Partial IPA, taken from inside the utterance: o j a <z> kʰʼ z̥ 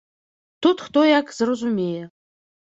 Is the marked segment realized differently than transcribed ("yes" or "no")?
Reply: yes